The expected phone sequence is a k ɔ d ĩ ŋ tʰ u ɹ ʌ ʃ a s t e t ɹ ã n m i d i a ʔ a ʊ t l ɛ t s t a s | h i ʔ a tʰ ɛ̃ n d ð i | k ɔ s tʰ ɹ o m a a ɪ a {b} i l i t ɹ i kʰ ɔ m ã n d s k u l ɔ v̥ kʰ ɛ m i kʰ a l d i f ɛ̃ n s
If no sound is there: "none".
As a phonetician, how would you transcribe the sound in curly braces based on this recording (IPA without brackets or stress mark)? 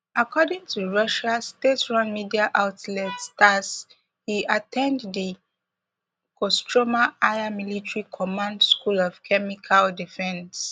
m